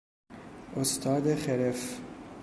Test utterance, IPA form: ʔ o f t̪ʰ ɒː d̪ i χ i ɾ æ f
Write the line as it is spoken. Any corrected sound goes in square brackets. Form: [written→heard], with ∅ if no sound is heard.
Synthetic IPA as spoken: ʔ o [f→s] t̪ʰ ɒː d̪ [i→e] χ [i→e] ɾ [æ→e] f